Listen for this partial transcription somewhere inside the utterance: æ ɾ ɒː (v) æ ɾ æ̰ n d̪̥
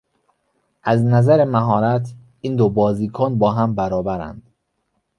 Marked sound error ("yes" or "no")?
yes